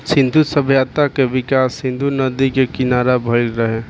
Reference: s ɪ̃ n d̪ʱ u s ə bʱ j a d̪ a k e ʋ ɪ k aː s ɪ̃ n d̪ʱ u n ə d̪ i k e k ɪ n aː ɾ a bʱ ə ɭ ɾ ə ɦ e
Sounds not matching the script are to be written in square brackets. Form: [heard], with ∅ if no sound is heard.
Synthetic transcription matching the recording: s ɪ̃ n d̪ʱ u s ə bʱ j a [t̪] a k e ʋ ɪ k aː s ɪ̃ n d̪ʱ u n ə d̪ i k e k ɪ n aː ɾ a bʱ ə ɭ ɾ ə ɦ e